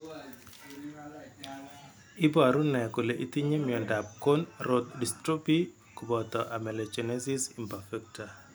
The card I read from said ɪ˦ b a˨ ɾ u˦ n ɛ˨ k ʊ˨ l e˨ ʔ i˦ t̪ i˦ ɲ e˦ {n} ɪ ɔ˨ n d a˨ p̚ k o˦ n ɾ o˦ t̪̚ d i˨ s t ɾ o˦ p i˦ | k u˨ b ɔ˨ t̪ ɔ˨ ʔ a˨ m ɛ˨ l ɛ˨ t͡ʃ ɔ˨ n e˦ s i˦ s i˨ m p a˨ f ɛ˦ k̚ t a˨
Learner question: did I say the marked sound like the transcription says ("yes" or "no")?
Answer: no